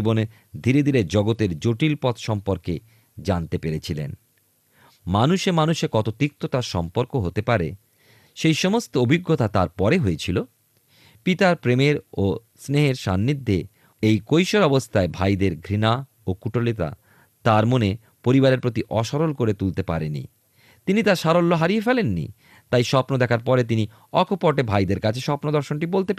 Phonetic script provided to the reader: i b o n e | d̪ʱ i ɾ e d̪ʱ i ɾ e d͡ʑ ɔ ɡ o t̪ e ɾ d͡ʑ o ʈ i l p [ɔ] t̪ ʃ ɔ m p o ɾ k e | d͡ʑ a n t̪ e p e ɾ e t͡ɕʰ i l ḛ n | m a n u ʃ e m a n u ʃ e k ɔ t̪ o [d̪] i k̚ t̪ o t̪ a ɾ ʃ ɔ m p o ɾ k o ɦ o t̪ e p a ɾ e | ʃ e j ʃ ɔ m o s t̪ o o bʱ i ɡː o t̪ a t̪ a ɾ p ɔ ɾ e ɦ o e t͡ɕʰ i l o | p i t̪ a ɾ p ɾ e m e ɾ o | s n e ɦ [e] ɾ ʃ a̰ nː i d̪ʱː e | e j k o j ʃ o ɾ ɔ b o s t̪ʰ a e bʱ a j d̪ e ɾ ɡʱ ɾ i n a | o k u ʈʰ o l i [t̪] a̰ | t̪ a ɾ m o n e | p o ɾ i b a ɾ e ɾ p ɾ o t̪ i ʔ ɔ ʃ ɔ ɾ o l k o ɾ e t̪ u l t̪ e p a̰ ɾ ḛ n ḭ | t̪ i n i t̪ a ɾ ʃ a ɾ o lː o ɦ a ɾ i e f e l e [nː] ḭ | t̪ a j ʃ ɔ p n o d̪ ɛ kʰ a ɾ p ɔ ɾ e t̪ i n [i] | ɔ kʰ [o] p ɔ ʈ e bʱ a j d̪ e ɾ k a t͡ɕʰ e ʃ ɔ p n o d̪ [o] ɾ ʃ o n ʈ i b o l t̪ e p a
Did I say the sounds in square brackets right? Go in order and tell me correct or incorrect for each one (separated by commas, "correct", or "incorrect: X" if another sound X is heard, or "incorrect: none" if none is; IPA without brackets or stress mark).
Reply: correct, incorrect: t̪, correct, correct, correct, correct, correct, incorrect: ɔ